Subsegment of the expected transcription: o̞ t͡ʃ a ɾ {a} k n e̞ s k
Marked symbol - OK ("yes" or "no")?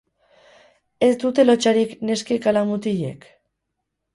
no